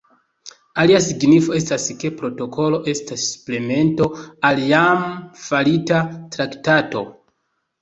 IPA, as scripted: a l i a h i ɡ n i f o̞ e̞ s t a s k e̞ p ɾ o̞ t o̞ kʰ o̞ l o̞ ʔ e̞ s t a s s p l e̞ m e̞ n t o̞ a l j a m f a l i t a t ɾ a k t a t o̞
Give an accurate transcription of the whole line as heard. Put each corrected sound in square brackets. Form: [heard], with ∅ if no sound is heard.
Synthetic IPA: a l i a [s] i ɡ n i f o̞ e̞ s t a s k e̞ p ɾ o̞ t o̞ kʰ o̞ l o̞ ʔ e̞ s t a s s p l e̞ m e̞ n t o̞ a l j a m f a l i t a t ɾ a k t a t o̞